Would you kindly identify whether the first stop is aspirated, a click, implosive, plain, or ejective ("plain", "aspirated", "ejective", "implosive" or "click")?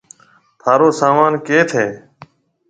aspirated